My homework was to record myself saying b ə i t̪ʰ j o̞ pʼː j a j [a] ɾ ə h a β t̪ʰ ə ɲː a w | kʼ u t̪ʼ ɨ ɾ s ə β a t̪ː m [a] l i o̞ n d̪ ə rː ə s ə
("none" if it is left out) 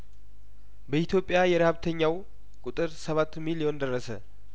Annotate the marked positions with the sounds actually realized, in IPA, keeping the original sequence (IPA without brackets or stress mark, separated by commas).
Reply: ɛ, i